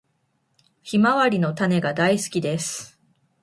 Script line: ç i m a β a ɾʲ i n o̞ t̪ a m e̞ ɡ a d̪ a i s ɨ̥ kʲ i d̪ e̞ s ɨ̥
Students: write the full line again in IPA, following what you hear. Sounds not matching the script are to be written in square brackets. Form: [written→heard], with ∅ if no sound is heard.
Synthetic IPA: ç i m a β a ɾʲ i n o̞ t̪ a [m→n] e̞ ɡ a d̪ a i s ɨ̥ kʲ i d̪ e̞ s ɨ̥